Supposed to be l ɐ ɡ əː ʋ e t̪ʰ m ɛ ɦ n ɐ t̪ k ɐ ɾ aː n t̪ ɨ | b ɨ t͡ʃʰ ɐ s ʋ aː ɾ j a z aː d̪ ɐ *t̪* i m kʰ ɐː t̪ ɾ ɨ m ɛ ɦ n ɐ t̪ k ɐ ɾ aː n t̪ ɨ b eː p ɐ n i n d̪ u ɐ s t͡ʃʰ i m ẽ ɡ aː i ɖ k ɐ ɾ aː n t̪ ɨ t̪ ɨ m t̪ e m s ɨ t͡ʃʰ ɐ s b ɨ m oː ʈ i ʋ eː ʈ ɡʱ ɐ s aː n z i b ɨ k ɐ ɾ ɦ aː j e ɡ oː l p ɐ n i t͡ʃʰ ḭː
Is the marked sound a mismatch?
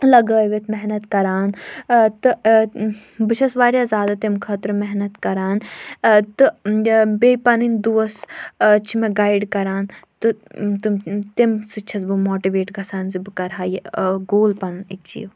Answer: no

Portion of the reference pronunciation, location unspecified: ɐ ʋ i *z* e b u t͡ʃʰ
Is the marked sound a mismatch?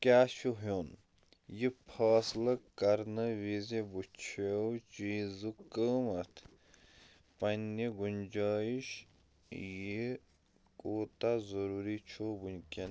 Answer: no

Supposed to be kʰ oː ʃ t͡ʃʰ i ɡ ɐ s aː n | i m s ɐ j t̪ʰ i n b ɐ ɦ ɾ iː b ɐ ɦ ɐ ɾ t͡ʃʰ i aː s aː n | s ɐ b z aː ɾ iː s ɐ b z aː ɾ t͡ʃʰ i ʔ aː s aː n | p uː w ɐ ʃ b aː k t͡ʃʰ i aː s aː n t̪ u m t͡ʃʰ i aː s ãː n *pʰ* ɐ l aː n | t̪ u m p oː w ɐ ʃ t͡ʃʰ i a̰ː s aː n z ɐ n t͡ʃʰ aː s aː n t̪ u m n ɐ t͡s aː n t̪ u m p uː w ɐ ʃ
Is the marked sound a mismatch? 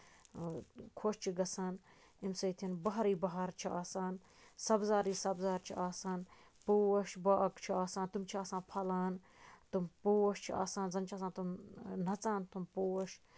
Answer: no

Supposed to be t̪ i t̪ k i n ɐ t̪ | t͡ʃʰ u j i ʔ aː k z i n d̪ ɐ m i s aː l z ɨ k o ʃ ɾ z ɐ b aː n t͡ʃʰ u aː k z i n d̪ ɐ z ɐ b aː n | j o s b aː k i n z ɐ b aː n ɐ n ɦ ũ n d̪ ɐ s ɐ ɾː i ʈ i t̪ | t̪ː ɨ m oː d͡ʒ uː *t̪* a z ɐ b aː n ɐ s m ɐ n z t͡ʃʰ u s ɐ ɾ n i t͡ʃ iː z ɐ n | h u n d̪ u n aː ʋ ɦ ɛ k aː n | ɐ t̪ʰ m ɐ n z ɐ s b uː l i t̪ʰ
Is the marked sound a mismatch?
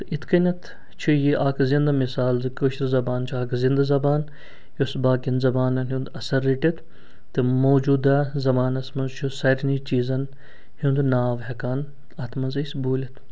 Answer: yes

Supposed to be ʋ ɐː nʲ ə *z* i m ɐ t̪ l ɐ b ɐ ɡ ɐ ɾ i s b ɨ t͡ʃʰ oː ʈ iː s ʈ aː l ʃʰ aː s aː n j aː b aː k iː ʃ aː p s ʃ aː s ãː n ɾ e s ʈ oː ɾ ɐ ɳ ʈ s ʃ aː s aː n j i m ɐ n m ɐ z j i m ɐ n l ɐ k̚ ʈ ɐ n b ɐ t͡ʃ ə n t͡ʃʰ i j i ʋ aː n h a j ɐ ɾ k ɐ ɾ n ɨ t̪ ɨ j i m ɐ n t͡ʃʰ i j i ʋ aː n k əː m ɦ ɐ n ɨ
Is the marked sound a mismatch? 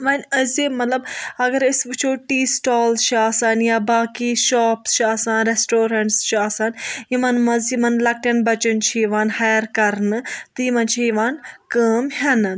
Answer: no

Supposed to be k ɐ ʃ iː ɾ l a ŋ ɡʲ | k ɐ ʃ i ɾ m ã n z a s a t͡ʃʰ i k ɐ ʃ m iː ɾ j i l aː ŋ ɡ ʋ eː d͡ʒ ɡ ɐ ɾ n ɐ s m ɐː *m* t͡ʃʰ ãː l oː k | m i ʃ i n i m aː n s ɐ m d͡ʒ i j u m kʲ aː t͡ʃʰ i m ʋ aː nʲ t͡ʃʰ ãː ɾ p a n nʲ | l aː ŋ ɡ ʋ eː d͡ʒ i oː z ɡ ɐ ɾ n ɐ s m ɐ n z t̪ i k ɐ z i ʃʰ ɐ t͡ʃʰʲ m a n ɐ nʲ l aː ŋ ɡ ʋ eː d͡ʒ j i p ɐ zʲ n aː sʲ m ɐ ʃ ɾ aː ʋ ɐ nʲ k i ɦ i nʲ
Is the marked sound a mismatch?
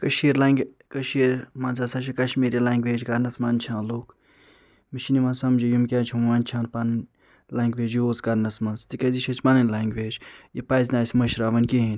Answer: yes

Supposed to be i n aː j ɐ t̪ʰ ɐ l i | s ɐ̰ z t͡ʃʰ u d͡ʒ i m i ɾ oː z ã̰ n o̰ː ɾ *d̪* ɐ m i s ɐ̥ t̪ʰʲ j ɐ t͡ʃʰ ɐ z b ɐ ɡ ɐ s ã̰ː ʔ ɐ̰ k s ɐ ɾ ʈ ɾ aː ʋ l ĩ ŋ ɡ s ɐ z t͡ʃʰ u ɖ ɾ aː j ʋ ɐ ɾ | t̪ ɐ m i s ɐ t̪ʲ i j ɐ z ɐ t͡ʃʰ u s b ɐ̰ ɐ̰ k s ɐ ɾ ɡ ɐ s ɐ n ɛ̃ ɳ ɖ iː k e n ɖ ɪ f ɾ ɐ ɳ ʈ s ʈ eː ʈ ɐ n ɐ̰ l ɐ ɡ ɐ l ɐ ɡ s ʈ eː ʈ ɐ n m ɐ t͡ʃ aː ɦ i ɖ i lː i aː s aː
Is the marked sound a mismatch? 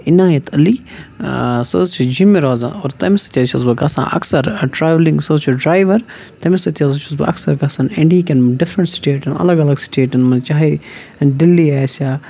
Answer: yes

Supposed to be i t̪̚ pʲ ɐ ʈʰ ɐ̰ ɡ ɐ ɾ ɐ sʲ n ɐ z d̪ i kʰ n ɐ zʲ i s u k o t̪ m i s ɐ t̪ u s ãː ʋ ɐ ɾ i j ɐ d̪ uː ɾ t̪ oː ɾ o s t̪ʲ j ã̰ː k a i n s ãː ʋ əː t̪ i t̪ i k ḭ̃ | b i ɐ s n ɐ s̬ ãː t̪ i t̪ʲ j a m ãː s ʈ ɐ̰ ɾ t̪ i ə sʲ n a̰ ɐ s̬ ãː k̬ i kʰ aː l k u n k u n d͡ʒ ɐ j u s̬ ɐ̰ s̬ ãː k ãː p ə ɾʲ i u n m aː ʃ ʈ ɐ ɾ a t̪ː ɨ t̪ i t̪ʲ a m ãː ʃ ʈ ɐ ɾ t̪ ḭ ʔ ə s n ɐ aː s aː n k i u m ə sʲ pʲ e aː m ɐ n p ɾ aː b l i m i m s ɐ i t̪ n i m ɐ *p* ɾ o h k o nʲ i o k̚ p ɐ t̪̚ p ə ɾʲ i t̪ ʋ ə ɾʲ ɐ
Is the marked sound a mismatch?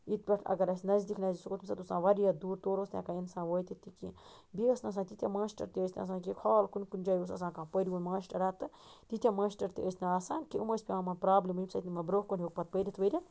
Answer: yes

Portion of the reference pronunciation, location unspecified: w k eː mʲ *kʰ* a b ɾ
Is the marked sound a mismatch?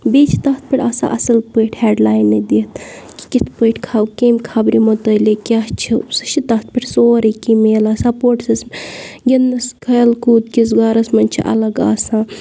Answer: no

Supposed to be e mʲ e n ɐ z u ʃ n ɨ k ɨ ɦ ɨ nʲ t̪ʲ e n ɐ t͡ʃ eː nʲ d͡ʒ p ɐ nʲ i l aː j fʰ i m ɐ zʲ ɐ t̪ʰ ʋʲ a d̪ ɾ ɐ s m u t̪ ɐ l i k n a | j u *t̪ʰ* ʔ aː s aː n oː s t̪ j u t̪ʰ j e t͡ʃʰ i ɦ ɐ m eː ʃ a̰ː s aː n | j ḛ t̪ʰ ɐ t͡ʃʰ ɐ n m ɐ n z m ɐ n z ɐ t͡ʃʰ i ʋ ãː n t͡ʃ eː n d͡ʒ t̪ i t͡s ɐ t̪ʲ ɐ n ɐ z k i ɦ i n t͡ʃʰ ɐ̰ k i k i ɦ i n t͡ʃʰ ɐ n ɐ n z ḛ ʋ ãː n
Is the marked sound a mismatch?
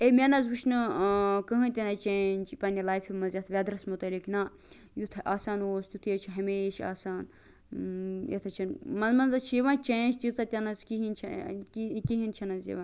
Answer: no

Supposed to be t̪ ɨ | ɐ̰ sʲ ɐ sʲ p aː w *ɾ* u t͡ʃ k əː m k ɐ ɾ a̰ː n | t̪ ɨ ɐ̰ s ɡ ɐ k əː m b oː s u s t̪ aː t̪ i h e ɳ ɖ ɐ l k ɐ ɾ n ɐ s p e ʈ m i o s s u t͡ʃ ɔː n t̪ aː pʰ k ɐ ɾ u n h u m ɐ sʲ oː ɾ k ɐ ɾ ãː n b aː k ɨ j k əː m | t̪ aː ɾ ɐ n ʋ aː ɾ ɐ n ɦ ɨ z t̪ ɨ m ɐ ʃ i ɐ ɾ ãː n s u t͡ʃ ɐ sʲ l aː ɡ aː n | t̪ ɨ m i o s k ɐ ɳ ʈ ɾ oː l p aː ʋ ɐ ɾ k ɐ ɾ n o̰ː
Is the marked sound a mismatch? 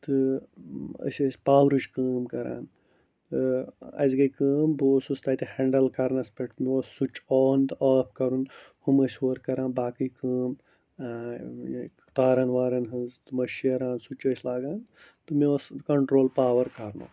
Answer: no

